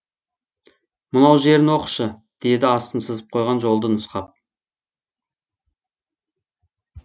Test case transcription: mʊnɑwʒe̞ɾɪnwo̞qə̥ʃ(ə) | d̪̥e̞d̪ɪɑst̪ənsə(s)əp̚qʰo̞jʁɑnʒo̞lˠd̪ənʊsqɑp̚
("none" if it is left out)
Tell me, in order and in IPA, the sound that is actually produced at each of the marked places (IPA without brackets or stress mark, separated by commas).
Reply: ə, z